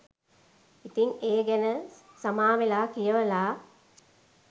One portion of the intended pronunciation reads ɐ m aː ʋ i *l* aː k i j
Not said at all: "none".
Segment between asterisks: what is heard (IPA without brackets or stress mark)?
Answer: l